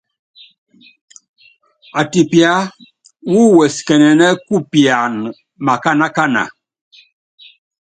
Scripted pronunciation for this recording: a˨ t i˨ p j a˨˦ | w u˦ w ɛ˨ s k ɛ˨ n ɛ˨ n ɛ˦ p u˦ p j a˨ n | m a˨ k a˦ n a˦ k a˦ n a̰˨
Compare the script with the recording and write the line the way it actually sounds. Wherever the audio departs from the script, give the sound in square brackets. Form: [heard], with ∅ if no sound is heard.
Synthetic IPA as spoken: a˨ t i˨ p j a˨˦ | w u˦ w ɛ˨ s k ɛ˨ n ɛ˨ n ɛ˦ [k] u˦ p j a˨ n | m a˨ k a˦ n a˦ k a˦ n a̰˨